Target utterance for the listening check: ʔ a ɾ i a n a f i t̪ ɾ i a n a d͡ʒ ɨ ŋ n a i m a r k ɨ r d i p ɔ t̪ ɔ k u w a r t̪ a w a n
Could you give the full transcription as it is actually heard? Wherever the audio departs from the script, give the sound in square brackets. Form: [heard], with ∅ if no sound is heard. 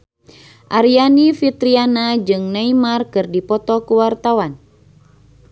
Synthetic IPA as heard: ʔ a ɾ i a n [i] f i t̪ ɾ i a n a d͡ʒ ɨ ŋ n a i m a r k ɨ r d i p ɔ t̪ ɔ k u w a r t̪ a w a n